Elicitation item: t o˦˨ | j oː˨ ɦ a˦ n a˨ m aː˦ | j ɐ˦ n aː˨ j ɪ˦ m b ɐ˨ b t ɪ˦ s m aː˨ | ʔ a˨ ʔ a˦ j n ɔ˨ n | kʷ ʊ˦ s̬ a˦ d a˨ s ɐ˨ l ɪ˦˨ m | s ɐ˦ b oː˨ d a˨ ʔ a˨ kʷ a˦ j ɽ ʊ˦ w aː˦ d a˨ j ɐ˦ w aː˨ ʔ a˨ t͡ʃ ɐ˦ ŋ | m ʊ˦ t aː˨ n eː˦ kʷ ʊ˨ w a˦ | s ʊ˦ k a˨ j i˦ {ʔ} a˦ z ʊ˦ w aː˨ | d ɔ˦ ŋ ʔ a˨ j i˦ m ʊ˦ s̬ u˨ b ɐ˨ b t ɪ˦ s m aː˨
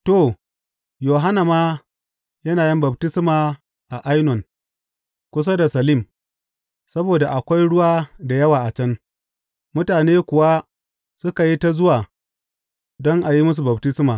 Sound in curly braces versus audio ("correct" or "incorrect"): incorrect